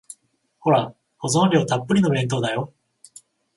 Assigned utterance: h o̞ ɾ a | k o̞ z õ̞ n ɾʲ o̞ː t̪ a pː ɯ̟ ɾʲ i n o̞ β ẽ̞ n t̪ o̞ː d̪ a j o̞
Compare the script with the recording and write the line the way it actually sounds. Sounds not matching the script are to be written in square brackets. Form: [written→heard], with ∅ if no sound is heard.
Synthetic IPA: h o̞ ɾ a | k o̞ z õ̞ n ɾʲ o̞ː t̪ a pː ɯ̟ ɾʲ i n o̞ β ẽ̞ n t̪ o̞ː d̪ a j o̞